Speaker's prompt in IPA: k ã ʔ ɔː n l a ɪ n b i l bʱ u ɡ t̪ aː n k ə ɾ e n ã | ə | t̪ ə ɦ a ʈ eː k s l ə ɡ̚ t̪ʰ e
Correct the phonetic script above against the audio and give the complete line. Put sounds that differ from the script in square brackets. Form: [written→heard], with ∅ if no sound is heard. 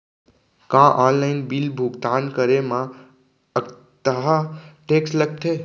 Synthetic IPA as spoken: k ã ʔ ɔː n l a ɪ n b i l bʱ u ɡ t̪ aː n k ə ɾ e [n→m] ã | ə | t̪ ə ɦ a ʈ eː k s l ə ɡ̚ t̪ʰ e